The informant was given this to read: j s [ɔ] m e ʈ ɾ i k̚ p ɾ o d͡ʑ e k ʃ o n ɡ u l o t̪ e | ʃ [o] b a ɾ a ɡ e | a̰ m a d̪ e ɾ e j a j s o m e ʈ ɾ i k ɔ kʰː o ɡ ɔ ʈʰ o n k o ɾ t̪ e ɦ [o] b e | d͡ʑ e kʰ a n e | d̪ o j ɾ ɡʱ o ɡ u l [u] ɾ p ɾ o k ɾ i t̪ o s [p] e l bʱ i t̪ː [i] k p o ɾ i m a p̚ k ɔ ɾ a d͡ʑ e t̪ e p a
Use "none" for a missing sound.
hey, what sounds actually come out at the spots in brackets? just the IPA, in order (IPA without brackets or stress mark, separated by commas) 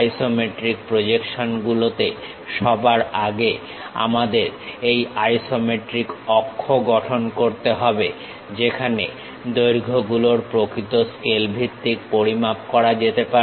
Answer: o, ɔ, ɔ, o, k, i